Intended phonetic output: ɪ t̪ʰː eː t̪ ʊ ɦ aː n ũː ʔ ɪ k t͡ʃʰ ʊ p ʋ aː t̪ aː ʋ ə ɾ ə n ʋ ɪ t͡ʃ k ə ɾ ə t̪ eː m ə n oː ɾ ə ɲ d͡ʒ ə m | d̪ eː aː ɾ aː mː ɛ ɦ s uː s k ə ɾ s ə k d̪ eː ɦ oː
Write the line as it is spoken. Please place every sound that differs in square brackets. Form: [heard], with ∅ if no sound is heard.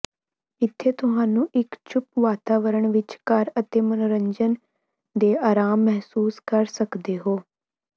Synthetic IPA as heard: ɪ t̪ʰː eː t̪ ʊ ɦ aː n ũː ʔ ɪ k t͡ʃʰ ʊ p ʋ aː t̪ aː ʋ ə ɾ ə [ɳ] ʋ ɪ t͡ʃ k ə ɾ ə t̪ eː m ə n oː ɾ ə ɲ d͡ʒ ə [n] | d̪ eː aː ɾ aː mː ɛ ɦ s uː s k ə ɾ s ə k d̪ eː ɦ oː